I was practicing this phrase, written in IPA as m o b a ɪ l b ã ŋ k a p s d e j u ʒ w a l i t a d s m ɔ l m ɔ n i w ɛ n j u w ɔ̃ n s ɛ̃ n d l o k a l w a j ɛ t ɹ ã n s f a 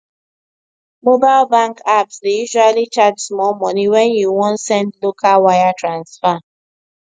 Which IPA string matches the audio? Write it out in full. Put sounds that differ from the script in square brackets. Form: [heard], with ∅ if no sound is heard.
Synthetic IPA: m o b a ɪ l b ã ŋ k a p s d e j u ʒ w a l i [t͡ʃ] a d s m ɔ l m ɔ n i w ɛ n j u w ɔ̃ n s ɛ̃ n d l o k a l w a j [a] t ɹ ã n s f a